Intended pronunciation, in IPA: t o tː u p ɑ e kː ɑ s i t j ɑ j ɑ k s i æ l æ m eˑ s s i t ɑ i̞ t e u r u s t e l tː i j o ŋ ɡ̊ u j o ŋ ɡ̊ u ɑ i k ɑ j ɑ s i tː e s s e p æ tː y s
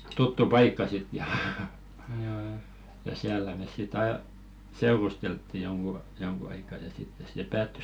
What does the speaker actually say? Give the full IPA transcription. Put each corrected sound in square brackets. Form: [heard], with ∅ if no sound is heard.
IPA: t [u] tː u p ɑ [i] kː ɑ s i t j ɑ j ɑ [∅] s i æ [lː] æ m eˑ s s i t ɑ i̞ [s] e u r u s t e l tː i j o ŋ ɡ̊ u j o ŋ ɡ̊ u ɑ i k ɑ j ɑ s i tː e s s e p [æː] tː y s